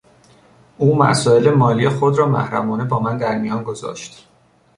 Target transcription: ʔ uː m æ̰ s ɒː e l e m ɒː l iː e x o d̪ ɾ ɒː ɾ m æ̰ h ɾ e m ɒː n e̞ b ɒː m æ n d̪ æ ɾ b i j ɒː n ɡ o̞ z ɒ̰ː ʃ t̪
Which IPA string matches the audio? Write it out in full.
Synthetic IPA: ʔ uː m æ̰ s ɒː e l e m ɒː l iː e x o d̪ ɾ ɒː m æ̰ h ɾ æ m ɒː n e̞ b ɒː m æ n d̪ æ ɾ m i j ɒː n ɡ o̞ z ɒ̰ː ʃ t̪